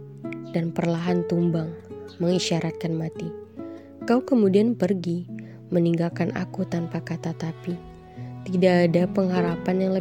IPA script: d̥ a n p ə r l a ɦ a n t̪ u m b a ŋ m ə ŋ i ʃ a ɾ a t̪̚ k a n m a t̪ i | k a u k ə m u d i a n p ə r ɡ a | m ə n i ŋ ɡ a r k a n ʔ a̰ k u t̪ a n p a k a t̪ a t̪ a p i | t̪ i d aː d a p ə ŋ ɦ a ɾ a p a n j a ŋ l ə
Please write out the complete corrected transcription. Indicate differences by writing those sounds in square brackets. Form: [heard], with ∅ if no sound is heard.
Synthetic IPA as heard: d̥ a n p ə r l a ɦ a n t̪ u m b a ŋ m ə ŋ i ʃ a ɾ a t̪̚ k a n m a t̪ i | k a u k ə m u d i a n p ə r ɡ [i] | m ə n i ŋ ɡ a [l] k a n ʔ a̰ k u t̪ a n p a k a t̪ a t̪ a p i | t̪ i d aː d a p ə ŋ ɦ a ɾ a p a n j a ŋ l ə